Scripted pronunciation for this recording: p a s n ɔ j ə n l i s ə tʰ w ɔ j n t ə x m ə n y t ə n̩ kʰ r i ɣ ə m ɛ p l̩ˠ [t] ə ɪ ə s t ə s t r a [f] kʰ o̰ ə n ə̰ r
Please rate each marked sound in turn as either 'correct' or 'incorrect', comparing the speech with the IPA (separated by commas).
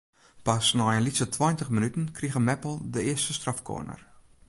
incorrect, correct